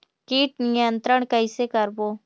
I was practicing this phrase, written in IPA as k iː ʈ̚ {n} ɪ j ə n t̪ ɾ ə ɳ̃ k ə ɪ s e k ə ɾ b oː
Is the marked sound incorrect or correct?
correct